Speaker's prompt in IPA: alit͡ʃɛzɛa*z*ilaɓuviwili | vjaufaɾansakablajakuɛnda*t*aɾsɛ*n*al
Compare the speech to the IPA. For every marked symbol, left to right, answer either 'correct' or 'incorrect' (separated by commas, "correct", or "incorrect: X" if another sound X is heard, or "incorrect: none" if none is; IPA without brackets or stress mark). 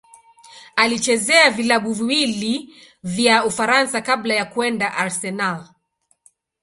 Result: incorrect: v, incorrect: ʔ, correct